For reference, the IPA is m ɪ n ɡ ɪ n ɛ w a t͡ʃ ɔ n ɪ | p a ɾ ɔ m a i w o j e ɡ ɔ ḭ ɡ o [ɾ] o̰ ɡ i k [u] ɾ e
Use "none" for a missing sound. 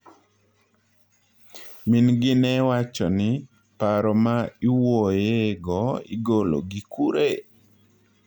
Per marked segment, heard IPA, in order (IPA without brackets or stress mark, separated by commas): l, u